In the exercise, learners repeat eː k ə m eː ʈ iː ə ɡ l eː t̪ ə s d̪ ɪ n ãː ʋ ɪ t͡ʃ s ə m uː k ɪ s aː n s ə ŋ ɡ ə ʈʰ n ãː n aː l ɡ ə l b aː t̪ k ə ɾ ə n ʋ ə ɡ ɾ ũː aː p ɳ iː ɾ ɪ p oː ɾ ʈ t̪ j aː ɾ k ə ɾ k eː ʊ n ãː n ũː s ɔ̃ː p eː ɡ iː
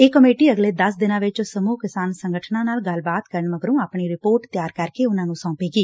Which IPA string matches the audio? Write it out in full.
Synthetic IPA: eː k ə m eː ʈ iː ə ɡ l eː d̪ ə s d̪ ɪ n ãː ʋ ɪ t͡ʃ s ə m uː k ɪ s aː n s ə ŋ ɡ ə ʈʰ n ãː n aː l ɡ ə l b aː t̪ k ə ɾ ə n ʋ ə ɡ ɾ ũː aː p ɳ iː ɾ ɪ p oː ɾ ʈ t̪ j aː ɾ k ə ɾ k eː ʊ n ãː n ũː s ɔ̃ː p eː ɡ iː